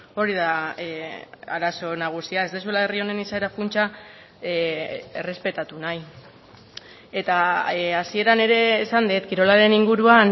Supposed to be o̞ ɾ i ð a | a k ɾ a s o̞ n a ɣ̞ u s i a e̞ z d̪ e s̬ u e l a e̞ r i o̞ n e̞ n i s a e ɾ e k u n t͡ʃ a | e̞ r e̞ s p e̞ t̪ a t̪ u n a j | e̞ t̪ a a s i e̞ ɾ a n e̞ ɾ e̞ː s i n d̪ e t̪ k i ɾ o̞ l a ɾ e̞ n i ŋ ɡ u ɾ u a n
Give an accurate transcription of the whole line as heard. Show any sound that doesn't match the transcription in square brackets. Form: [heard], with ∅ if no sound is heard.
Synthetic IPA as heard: o̞ ɾ i ð a | a [∅] ɾ a s o̞ n a ɣ̞ u s i a e̞ z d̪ e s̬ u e l a e̞ r i o̞ n e̞ n i s a e ɾ [a] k u n t͡ʃ a | e̞ r e̞ s p e̞ t̪ a t̪ u n a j | e̞ t̪ a a s i e̞ ɾ a n e̞ ɾ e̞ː s [a] n d̪ e t̪ k i ɾ o̞ l a ɾ e̞ n i ŋ ɡ u ɾ u a n